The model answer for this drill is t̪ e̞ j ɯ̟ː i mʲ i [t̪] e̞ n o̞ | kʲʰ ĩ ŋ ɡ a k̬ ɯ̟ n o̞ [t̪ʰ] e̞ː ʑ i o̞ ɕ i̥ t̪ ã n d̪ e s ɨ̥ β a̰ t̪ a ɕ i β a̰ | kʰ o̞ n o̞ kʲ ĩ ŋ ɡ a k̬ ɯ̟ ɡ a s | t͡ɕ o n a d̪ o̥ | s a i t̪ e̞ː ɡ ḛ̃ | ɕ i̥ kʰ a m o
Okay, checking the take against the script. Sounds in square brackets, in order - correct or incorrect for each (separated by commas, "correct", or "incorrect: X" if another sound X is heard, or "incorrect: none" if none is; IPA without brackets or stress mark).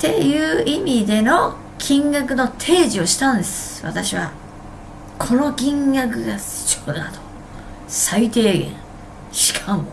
incorrect: d̪, correct